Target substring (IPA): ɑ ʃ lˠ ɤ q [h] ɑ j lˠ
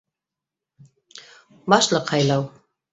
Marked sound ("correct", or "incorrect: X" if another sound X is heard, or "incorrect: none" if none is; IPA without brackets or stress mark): correct